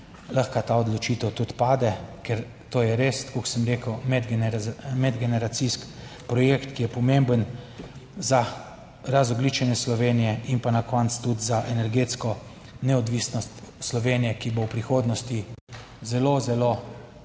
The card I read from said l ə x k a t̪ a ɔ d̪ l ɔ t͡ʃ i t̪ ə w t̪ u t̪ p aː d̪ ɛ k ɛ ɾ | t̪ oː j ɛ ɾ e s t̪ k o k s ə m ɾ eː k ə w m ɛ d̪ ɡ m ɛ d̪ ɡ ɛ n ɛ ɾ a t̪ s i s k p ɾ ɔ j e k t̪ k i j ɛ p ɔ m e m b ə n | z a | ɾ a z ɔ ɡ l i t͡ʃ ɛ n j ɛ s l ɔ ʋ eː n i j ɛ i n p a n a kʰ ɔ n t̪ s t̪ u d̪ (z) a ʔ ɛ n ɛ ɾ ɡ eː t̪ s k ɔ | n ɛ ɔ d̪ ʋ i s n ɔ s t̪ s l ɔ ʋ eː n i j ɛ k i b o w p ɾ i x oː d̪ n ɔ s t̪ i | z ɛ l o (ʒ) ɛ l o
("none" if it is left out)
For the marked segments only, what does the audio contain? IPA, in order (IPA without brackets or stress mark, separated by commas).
z, z